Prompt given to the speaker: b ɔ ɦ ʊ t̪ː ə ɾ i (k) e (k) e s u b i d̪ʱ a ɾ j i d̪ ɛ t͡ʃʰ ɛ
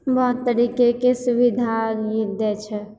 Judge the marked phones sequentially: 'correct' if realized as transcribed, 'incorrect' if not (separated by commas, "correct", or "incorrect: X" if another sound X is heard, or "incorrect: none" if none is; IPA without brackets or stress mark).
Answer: correct, correct